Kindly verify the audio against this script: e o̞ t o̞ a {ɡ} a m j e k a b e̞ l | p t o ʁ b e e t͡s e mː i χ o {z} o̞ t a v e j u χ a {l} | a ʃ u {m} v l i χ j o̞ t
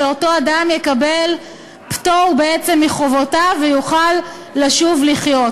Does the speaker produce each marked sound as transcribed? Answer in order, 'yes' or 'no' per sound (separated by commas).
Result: no, no, no, no